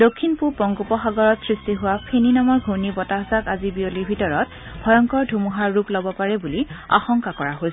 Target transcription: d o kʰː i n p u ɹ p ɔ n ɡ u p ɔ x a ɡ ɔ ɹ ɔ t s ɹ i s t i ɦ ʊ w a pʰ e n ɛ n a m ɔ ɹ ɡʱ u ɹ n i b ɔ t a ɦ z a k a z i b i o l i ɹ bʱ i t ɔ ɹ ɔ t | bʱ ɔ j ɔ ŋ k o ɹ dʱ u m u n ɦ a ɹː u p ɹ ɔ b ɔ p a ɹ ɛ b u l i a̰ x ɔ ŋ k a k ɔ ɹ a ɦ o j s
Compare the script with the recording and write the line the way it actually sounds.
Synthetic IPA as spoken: d o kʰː i n p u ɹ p ɔ ŋ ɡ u p ɔ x a ɡ ɔ ɹ ɔ t s ɹ i s t i ɦ ʊ w a pʰ e n i n a m ɔ ɹ ɡʱ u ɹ n i b ɔ t a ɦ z a k a z i b i o l i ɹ bʱ i t ɔ ɹ ɔ t | bʱ ɔ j ɔ ŋ k ɔ ɹ dʱ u m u ɦ a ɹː u p l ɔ b ɔ p a ɹ ɛ b u l i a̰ x ɔ ŋ k a k ɔ ɹ a ɦ o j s